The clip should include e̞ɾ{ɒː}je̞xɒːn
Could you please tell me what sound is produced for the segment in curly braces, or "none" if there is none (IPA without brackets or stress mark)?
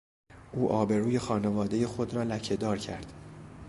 uː